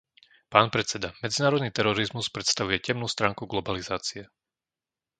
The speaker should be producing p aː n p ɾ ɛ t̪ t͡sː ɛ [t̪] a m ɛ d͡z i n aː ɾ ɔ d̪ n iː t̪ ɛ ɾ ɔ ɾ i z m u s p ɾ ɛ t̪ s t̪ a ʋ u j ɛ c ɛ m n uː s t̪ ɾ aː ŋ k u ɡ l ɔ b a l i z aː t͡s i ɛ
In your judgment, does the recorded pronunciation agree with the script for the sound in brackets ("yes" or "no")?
no